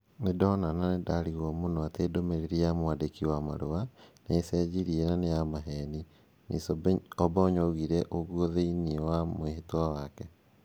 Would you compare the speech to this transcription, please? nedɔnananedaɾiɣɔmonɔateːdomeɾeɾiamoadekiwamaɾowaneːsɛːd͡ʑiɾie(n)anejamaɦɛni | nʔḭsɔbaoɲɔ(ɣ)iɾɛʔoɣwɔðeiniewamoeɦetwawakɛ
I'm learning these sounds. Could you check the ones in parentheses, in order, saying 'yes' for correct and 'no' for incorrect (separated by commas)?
yes, yes